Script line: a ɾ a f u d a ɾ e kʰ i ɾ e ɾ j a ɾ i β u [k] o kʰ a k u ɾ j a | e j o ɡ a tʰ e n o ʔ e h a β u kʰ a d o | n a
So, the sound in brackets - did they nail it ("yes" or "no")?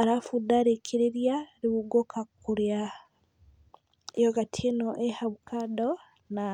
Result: no